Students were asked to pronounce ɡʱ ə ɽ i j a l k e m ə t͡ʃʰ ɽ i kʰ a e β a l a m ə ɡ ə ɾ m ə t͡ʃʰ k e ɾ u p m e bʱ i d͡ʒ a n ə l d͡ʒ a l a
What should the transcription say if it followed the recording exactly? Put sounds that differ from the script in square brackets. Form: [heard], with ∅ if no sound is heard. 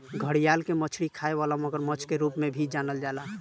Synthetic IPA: ɡʱ ə ɽ i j a l k e m ə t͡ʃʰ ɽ i kʰ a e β a l a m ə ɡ ə ɾ m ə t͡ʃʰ k e ɾ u p m e bʱ i d͡ʒ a n ə l d͡ʒ a l a